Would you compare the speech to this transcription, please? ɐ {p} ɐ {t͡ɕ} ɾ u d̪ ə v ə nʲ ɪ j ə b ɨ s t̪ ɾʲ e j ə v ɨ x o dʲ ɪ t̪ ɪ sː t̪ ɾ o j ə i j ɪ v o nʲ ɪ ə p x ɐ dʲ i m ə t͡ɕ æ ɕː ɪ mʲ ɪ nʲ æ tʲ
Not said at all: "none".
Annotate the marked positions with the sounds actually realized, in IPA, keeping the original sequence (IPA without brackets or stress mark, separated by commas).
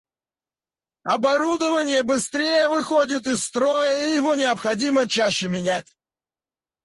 b, none